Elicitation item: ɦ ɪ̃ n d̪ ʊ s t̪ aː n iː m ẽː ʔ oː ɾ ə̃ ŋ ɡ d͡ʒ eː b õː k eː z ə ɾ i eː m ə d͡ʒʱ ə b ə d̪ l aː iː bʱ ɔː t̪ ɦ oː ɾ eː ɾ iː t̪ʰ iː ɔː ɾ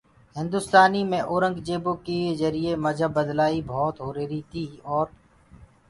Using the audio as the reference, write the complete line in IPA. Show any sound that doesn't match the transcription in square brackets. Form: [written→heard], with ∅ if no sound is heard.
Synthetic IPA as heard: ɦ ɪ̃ n d̪ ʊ s t̪ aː n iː m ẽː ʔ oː ɾ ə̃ ŋ ɡ d͡ʒ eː b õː k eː z ə ɾ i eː m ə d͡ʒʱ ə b ə d̪ l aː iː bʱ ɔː t̪ ɦ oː ɾ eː ɾ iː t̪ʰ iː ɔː ɾ